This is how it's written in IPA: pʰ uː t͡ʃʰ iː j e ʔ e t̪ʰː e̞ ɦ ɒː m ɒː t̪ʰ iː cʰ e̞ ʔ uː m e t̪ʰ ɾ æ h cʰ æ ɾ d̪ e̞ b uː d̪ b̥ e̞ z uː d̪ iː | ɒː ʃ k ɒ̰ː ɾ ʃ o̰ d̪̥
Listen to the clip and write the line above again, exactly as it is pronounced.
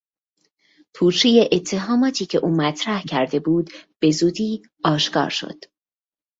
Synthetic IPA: pʰ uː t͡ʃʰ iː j e ʔ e t̪ʰː e̞ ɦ ɒː m ɒː t̪ʰ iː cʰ e̞ ʔ uː m æ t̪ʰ ɾ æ h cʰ æ ɾ d̪ e̞ b uː d̪ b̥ e̞ z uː d̪ iː | ɒː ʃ k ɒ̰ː ɾ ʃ o̰ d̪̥